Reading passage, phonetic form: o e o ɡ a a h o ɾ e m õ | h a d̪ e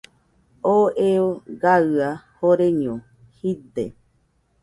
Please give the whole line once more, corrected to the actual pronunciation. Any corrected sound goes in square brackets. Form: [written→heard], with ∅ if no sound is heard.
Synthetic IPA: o e o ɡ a a h o ɾ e [m→ɲ] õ | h [a→i] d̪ e

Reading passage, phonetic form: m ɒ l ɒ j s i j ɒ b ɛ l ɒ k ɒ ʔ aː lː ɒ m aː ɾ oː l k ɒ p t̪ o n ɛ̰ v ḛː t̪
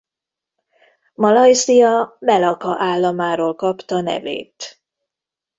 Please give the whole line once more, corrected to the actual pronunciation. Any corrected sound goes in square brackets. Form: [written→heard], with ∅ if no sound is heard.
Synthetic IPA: m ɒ l ɒ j s i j ɒ [b→m] ɛ l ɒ k ɒ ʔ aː lː ɒ m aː ɾ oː l k ɒ p t̪ [o→ɒ] n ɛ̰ v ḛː t̪

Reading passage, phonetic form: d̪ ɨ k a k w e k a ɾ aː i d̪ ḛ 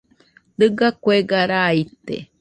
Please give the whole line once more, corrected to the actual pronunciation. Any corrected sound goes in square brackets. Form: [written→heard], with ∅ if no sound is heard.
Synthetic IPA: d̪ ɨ [k→ɡ] a k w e [k→ɡ] a ɾ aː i [d̪→t̪] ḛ

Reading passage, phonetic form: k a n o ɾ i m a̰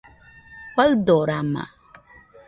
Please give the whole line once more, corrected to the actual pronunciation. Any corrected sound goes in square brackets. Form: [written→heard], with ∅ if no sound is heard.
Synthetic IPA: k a [n→d] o ɾ [i→a] m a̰

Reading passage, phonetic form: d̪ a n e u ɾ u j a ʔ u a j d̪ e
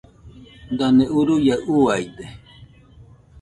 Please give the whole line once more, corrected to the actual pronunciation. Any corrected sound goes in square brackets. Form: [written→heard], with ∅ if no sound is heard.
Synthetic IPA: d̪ a n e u ɾ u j a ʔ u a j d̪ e

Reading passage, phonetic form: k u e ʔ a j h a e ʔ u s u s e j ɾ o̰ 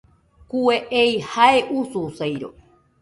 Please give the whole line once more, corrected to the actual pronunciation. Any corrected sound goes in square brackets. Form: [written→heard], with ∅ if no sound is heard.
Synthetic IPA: k u e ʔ [a→e] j h a e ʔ u s u s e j ɾ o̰

